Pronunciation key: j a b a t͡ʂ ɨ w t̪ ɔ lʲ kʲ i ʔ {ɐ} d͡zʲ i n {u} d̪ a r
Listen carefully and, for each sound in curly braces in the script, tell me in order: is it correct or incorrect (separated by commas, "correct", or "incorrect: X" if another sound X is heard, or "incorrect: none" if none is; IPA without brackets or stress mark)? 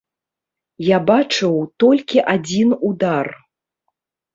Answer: incorrect: a, correct